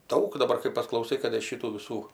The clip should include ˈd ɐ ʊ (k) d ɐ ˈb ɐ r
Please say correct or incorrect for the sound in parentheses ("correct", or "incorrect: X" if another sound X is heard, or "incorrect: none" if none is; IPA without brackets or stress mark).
correct